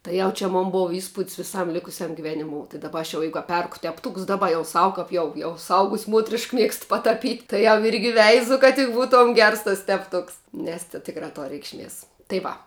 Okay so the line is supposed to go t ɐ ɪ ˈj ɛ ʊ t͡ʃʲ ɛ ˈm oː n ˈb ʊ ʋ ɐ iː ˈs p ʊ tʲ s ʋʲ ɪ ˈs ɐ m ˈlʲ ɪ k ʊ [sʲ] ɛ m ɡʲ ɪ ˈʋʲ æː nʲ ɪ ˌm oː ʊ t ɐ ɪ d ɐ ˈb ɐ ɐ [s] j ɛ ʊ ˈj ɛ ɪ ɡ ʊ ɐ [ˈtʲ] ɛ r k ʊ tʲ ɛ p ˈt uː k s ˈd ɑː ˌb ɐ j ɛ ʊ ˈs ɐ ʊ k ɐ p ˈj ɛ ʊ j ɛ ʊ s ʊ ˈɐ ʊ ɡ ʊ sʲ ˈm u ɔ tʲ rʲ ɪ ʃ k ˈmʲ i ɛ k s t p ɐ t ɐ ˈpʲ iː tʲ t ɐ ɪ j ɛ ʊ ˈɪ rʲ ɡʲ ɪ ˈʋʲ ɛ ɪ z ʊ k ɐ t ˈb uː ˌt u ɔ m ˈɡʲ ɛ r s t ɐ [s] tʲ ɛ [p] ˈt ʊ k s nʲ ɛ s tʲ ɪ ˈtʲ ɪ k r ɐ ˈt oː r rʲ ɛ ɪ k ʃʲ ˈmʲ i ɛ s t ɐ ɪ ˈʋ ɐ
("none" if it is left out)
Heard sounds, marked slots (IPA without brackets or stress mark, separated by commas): sʲ, ʃ, pʲ, s, p